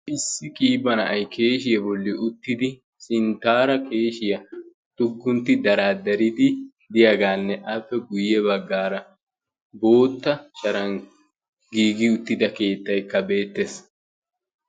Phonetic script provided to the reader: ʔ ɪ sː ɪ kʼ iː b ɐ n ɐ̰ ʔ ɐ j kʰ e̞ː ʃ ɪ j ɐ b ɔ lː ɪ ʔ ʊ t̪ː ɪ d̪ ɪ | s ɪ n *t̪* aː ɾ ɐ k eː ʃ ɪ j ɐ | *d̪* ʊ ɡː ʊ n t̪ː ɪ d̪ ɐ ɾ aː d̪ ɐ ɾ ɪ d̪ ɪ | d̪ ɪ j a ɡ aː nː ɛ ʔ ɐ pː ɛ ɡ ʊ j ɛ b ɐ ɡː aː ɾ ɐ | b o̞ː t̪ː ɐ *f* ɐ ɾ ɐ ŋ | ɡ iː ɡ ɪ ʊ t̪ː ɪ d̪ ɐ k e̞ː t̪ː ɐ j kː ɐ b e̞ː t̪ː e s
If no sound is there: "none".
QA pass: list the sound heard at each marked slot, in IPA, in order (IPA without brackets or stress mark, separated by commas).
t̪, t̪, ʃ